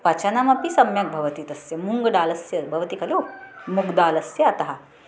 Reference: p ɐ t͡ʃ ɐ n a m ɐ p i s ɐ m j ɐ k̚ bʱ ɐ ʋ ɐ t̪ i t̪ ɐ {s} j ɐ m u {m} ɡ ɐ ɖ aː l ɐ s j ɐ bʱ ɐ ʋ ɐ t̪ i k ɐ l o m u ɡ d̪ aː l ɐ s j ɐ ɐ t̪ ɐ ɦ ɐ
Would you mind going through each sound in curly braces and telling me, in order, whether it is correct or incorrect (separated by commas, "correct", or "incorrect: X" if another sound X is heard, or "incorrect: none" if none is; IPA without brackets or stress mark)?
correct, incorrect: ŋ